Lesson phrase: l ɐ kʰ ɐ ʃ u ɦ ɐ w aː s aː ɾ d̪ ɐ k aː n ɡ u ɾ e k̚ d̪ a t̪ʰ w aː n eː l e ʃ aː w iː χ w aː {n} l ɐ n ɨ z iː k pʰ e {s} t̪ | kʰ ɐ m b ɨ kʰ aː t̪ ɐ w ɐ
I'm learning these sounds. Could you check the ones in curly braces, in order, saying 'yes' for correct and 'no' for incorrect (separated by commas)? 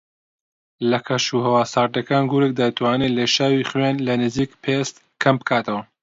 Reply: yes, yes